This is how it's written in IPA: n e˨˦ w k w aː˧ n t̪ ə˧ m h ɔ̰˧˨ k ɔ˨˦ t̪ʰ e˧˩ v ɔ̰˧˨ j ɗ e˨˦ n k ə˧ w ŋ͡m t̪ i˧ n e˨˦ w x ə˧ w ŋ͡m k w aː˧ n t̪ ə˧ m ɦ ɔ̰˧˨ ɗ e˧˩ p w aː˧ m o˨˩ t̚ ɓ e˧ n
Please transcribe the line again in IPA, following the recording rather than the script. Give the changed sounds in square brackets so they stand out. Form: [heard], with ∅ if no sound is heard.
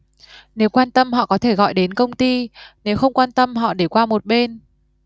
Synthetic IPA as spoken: n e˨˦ w k w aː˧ n t̪ ə˧ m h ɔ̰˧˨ k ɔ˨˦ t̪ʰ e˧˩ [ɣ] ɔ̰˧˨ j ɗ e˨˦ n k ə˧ w ŋ͡m t̪ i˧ n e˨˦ w x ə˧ w ŋ͡m k w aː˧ n t̪ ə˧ m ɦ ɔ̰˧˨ ɗ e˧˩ [k] w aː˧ m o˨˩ t̚ ɓ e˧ n